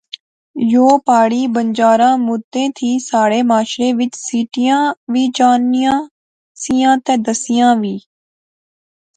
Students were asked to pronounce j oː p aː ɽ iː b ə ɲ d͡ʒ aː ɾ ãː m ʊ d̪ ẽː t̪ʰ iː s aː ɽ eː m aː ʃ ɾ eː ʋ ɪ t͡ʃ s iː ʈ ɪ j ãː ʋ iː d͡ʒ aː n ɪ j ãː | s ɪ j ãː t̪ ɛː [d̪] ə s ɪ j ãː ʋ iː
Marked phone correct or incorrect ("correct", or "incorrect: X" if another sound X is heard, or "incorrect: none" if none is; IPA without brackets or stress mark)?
correct